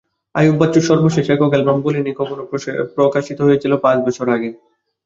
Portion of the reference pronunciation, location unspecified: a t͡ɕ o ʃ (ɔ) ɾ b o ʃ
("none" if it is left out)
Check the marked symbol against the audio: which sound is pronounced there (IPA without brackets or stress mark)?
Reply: ɔ